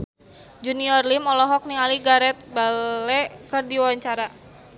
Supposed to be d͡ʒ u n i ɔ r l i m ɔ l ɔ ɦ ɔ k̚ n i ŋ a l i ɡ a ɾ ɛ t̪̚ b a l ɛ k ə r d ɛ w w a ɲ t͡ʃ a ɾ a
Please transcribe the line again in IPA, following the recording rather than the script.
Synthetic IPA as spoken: d͡ʒ u n i ɔ r l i m ɔ l ɔ ɦ ɔ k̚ n i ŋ a l i ɡ a ɾ ɛ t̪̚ b a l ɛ k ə r d i w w a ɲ t͡ʃ a ɾ a

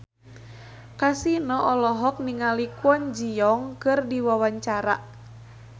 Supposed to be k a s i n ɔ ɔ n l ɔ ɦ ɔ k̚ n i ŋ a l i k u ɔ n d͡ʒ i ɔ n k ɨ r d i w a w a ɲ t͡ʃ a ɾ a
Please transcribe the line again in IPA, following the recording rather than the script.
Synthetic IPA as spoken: k a s i n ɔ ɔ l ɔ ɦ ɔ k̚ n i ŋ a l i k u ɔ n d͡ʒ i ɔ ŋ k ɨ r d i w a w a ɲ t͡ʃ a ɾ a

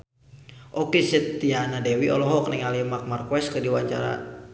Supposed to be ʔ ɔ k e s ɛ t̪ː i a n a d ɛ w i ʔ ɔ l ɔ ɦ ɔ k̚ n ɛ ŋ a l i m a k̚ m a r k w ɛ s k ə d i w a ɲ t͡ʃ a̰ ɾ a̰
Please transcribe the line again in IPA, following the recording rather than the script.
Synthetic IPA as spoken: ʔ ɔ k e s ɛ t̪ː i a n a d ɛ w i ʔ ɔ l ɔ ɦ ɔ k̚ n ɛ ŋ a l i m a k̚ m a r k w ɛ s k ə d i w a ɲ t͡ʃ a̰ ɾ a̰

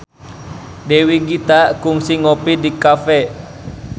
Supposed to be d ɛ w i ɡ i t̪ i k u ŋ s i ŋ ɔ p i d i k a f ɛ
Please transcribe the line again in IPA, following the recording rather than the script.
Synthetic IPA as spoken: d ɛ w i ɡ i t̪ a k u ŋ s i ŋ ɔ p i d i k a f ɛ

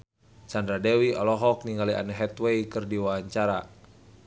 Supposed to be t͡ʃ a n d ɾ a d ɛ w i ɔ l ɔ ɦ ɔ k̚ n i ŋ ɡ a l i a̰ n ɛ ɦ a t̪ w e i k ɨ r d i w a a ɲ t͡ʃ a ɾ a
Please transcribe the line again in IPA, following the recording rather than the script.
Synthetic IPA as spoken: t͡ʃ a n d ɾ a d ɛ w i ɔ l ɔ ɦ ɔ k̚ n i ŋ ɡ a l i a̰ n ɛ ɦ ɛ t̪ w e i k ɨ r d i w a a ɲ t͡ʃ a ɾ a

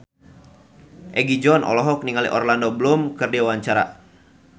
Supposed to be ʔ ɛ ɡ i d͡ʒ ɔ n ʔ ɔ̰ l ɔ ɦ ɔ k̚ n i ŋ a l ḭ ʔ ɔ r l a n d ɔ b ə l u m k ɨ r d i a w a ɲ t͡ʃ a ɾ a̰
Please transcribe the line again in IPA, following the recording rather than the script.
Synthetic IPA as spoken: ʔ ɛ ɡ i d͡ʒ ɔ n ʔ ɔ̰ l ɔ ɦ ɔ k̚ n i ŋ a l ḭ ʔ ɔ r l a n d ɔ b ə l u m k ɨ r d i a w a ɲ t͡ʃ a ɾ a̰

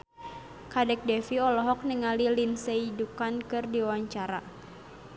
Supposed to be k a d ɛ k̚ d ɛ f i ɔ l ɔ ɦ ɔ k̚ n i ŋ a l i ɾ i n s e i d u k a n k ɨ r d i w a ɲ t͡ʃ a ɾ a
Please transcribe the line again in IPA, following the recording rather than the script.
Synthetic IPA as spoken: k a d ɛ k̚ d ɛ f i ɔ l ɔ ɦ ɔ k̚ n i ŋ a l i l i n s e i d u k a n k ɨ r d i w a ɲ t͡ʃ a ɾ a

